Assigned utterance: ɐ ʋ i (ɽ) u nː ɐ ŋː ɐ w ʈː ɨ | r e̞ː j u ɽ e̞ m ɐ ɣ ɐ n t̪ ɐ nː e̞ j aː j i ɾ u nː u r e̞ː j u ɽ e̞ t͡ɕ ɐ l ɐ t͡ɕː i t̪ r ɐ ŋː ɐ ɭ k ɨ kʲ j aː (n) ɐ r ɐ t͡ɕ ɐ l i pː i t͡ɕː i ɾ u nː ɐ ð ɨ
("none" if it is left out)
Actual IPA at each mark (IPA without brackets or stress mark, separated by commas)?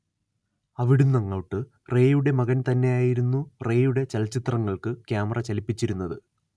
ɽ, m